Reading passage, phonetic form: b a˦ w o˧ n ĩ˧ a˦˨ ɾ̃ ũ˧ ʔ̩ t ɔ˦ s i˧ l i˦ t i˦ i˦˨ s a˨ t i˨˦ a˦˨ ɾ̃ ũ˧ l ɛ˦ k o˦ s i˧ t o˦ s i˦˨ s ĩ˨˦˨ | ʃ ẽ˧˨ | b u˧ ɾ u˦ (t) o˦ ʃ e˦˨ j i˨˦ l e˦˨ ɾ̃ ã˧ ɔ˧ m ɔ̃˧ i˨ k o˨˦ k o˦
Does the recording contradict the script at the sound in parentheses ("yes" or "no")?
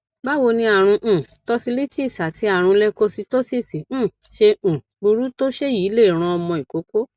no